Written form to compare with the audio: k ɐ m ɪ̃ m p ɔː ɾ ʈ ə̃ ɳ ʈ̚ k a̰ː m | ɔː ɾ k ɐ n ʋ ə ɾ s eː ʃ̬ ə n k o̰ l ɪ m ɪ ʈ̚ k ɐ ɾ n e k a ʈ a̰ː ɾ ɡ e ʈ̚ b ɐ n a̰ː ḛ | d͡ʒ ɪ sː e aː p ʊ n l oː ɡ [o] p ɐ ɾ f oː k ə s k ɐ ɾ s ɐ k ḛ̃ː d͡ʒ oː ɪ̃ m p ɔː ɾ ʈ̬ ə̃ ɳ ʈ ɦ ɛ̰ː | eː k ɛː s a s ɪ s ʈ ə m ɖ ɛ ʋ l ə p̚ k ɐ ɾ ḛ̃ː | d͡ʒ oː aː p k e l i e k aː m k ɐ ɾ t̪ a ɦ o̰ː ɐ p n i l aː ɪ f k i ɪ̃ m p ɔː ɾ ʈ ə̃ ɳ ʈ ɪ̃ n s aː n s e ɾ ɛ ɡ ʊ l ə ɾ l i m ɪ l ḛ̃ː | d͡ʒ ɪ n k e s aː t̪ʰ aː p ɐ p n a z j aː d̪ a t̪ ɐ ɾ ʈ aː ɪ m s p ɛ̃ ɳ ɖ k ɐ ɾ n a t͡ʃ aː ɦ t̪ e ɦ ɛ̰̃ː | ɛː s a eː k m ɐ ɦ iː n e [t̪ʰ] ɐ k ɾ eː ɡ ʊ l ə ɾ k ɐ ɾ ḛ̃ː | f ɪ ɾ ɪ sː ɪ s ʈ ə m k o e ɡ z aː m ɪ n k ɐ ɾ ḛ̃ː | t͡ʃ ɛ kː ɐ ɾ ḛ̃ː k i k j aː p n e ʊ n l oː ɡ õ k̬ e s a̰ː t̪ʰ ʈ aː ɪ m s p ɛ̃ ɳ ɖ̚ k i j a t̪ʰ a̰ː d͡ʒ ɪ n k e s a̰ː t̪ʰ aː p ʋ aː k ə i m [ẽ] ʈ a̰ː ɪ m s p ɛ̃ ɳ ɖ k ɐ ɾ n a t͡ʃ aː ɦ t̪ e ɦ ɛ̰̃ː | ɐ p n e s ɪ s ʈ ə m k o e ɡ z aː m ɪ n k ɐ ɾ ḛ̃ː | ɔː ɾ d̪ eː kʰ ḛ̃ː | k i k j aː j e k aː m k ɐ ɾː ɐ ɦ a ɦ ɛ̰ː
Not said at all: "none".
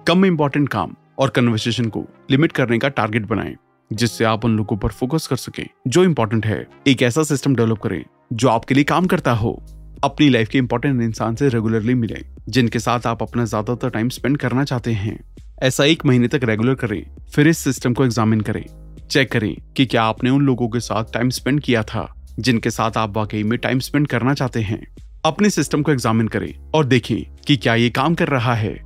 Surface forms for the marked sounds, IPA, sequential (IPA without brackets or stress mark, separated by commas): õ, t̪, ẽ